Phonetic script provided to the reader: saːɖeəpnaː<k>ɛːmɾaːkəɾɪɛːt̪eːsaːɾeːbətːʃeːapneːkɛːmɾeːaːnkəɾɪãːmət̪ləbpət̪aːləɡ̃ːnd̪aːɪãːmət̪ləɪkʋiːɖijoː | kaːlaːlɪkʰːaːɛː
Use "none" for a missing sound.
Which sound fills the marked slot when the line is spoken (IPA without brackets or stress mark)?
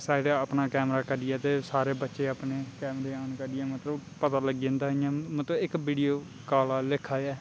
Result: k